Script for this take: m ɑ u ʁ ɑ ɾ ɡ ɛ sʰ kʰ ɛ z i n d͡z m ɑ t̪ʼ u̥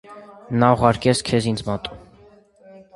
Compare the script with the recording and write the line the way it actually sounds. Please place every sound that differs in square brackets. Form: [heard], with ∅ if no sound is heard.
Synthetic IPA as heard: [n] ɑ u ʁ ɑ ɾ [k] ɛ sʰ kʰ ɛ z i n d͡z m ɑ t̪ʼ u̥